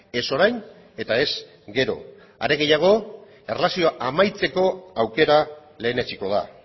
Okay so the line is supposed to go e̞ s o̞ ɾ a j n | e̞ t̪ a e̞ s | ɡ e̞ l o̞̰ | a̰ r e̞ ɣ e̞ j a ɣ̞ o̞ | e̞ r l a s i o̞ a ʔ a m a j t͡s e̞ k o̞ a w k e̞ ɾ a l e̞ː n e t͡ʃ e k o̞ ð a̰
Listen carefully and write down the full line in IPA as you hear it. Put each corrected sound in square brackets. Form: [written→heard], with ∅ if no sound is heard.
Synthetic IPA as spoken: e̞ s o̞ ɾ a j n | e̞ t̪ a e̞ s | ɡ e̞ [l→ɾ] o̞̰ | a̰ [r→ɾ] e̞ ɣ e̞ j a ɣ̞ o̞ | e̞ r l a s i o̞ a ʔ a m a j t͡s e̞ k o̞ a w k e̞ ɾ a l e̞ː n e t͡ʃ [e→i] k o̞ ð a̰